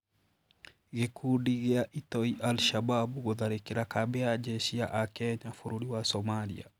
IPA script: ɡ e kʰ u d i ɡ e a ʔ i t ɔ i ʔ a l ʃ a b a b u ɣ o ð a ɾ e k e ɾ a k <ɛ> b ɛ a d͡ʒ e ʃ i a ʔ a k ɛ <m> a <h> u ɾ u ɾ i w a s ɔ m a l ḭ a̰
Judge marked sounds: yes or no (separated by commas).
no, no, no